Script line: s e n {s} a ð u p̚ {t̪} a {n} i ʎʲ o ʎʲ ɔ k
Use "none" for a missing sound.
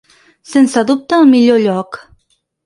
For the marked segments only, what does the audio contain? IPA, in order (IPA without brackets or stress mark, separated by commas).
s, t̪, m